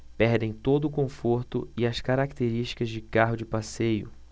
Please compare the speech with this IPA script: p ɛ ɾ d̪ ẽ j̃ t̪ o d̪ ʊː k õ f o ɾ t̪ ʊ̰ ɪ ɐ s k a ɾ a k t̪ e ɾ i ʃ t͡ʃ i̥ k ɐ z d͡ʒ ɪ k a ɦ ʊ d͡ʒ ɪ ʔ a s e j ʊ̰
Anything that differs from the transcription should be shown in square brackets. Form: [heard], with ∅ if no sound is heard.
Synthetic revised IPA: p ɛ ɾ d̪ ẽ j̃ t̪ o d̪ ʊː k õ f o ɾ t̪ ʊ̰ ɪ ɐ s k a ɾ a k t̪ e ɾ i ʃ t͡ʃ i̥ k ɐ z d͡ʒ ɪ k a ɦ ʊ d͡ʒ ɪ [p] a s e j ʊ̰